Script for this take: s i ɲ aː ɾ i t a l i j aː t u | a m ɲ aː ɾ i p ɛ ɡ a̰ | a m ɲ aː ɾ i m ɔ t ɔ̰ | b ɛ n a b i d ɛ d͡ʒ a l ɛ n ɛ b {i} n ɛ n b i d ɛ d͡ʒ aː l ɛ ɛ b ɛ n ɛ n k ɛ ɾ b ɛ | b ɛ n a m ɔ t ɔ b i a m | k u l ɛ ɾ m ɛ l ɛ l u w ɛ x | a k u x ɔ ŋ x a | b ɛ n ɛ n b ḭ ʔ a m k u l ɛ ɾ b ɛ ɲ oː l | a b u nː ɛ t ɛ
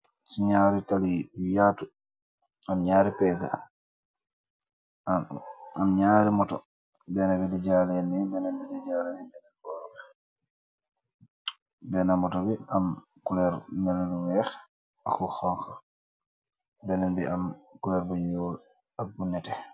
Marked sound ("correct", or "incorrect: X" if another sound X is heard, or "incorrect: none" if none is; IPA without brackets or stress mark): incorrect: ɛ